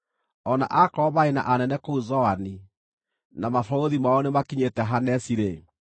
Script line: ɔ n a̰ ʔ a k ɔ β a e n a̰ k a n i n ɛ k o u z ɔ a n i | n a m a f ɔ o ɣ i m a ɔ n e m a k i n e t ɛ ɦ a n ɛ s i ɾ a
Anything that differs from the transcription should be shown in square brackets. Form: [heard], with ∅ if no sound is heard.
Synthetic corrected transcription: ɔ n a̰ ʔ a k ɔ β a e n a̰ [ʔ] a n [ɛ] n ɛ k o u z ɔ a n i | n a m a f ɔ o [ð] i m a ɔ n e m a k i [ɲ] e t ɛ ɦ a n ɛ s i ɾ [e]